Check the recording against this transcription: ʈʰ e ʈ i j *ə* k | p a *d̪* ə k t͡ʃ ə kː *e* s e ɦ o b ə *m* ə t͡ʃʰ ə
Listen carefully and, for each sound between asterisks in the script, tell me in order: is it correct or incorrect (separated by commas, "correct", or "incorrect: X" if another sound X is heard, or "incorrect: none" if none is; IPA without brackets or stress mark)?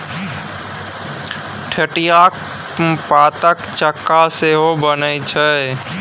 incorrect: a, incorrect: t̪, incorrect: a, incorrect: n